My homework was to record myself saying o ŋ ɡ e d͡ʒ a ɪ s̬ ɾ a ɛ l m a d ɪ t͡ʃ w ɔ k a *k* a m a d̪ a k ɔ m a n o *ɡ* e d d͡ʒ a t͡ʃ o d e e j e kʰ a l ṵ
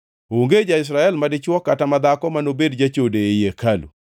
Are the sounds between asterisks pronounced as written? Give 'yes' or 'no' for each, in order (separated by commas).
no, no